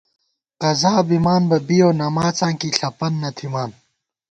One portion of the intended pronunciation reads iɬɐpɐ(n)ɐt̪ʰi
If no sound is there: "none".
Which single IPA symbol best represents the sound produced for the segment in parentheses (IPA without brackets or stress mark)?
nː